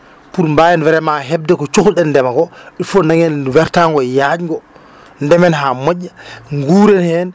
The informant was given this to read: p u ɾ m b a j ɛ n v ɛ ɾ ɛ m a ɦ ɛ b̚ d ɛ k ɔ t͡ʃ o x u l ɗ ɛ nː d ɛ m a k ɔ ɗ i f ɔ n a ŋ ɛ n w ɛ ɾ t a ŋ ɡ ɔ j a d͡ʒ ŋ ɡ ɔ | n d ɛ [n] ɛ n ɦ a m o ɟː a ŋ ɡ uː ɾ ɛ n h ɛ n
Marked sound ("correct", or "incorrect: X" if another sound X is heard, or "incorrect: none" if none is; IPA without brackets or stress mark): incorrect: m